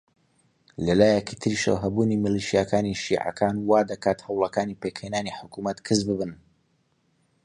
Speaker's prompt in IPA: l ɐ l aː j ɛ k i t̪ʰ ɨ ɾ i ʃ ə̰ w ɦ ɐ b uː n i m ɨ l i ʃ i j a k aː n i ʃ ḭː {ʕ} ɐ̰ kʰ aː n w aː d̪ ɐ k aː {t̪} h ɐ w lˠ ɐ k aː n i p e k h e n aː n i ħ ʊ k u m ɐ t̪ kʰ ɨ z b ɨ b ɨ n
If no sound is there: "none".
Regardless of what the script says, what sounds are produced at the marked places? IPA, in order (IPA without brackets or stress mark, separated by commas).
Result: ʕ, t̪